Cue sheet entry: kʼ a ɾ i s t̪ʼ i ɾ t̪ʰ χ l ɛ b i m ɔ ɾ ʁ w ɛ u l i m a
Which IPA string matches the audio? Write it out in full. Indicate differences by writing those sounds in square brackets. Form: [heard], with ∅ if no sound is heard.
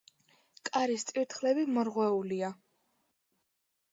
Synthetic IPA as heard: kʼ a ɾ i s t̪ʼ i ɾ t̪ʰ χ l ɛ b i m ɔ ɾ ʁ w ɛ u l i [∅] a